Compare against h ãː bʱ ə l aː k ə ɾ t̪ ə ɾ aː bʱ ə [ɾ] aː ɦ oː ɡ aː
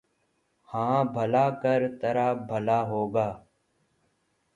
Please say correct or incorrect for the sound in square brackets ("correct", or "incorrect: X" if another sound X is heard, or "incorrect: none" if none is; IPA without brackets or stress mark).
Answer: incorrect: l